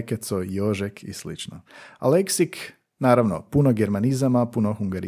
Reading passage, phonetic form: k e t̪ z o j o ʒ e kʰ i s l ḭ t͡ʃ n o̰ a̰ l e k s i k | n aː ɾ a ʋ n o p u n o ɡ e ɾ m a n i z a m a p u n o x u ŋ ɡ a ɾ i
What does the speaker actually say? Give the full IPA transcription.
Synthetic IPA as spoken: k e t̪ s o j o ʒ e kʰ i s l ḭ t͡ʃ n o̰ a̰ l e k s i k | n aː ɾ a ʋ n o p u n o ɡ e ɾ m a n i z a m a p u n o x u ŋ ɡ a ɾ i